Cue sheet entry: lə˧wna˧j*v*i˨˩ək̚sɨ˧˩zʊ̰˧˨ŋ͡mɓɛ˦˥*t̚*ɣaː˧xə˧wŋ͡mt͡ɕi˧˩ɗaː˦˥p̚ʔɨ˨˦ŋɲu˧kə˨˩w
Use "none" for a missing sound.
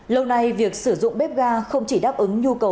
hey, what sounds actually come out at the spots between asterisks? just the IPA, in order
v, p̚

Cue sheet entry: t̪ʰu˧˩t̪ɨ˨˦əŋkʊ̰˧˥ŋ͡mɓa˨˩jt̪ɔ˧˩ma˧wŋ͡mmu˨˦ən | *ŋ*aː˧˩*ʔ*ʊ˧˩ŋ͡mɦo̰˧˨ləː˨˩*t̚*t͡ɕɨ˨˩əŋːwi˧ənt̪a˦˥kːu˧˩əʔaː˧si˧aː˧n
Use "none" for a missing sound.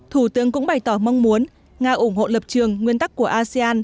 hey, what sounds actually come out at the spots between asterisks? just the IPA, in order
ŋ, ʔ, p̚

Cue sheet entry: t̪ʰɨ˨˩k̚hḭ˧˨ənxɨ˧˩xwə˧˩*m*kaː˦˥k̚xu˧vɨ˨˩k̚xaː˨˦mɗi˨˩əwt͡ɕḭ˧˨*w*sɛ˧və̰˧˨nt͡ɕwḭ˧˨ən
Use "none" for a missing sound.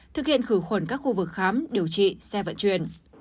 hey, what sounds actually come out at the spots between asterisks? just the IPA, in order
n, none

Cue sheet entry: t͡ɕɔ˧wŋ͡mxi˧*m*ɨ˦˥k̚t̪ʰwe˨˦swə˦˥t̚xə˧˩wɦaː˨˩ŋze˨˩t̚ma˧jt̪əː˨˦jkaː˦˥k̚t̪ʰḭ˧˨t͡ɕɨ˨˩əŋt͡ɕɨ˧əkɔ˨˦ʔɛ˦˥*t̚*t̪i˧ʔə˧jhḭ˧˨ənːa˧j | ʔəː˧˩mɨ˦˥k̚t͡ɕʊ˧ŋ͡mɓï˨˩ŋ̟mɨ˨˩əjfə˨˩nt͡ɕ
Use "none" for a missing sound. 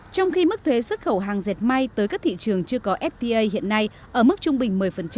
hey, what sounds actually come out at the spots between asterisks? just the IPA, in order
m, p̚

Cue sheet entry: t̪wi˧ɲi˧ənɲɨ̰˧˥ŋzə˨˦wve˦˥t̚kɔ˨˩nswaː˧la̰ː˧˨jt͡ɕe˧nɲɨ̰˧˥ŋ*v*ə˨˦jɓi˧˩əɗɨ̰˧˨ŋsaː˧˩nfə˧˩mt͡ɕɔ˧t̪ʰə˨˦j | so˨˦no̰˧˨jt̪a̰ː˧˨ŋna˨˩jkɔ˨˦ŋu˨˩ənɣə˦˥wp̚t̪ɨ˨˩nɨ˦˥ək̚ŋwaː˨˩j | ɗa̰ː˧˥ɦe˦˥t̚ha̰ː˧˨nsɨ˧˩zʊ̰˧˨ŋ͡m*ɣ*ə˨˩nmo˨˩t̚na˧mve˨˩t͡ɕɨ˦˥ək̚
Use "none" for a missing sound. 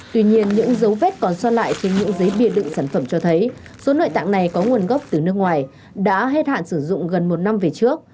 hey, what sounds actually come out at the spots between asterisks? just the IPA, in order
z, ɣ

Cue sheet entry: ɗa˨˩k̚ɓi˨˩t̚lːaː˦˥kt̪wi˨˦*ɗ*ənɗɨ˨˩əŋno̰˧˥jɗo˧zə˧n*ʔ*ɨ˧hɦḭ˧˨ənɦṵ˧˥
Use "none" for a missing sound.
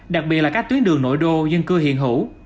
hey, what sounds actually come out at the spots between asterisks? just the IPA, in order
none, k

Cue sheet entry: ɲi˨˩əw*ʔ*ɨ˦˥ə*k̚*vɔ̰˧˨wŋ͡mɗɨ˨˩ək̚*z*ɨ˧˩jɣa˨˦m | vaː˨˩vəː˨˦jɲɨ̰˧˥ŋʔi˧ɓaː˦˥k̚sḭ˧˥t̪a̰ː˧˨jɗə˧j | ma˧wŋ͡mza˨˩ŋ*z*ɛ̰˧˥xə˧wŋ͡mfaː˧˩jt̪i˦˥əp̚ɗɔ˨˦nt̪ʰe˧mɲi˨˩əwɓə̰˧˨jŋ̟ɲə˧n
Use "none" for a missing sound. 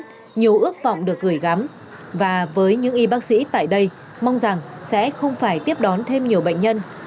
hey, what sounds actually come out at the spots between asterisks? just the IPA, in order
ʔ, k̚, ɣ, s

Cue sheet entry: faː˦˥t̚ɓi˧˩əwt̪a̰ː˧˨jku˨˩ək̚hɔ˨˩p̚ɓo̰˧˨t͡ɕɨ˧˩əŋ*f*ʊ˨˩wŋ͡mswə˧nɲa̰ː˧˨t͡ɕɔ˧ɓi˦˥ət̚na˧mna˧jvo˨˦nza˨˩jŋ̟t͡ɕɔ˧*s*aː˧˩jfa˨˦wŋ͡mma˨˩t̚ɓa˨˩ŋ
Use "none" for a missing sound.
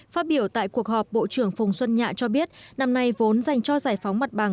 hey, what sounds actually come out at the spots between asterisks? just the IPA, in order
f, z

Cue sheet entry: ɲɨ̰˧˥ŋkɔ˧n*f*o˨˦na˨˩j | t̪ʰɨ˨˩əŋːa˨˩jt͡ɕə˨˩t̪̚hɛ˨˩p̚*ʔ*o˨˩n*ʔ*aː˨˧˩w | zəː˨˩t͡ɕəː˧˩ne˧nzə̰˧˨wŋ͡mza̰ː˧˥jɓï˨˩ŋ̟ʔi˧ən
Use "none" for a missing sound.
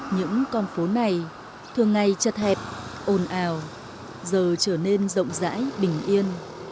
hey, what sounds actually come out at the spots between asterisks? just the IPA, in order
f, ʔ, ʔ

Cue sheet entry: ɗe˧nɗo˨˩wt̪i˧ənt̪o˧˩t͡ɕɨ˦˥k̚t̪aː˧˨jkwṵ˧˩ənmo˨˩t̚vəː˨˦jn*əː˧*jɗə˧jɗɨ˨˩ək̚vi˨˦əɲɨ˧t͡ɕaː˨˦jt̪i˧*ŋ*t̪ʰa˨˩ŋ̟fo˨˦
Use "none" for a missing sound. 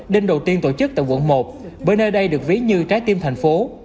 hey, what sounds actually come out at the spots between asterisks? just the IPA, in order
əː˧, m

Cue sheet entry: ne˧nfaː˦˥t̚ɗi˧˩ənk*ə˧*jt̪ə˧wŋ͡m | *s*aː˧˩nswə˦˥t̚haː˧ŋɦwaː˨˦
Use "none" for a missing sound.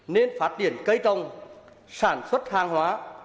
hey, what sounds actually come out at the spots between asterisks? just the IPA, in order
ə˧, s

